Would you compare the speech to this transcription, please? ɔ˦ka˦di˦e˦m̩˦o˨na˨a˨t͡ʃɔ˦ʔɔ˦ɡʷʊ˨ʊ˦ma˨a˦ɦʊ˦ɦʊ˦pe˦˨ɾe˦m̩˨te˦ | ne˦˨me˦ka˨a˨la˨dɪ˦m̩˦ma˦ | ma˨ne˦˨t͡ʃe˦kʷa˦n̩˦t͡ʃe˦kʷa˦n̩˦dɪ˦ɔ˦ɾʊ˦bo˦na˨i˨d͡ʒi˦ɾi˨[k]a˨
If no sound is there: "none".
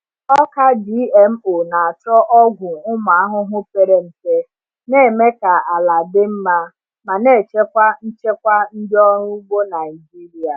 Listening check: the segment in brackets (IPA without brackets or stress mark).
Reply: none